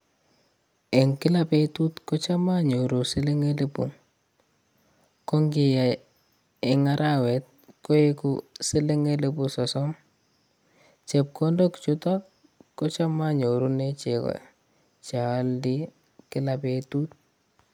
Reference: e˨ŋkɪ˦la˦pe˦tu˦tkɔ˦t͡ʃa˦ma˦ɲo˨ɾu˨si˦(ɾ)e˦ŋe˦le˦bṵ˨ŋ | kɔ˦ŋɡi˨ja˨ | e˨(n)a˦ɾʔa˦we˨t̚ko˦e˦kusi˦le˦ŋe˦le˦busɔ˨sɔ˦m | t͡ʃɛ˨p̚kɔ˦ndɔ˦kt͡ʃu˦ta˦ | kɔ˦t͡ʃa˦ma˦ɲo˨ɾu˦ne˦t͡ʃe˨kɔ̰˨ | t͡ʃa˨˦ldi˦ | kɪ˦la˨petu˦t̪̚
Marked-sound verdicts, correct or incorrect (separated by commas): incorrect, incorrect